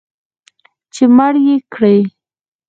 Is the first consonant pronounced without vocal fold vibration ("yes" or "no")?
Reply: yes